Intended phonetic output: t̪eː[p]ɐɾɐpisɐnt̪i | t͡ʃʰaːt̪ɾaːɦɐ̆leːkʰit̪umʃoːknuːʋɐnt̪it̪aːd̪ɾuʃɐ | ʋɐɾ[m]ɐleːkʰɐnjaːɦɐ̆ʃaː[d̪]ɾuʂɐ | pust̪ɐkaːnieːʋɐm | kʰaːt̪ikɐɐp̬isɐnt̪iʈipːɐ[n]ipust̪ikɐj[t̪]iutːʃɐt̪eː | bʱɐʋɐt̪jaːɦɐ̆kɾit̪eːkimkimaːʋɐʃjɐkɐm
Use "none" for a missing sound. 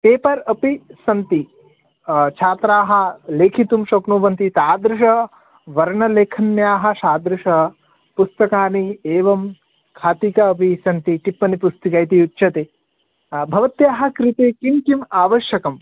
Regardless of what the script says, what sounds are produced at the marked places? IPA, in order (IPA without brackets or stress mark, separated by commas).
p, ɳ, d̪, n, t̪